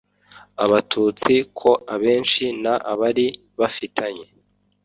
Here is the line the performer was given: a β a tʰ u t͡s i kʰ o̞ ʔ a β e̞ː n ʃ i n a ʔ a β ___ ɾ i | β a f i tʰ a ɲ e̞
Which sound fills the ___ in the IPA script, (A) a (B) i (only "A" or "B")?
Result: A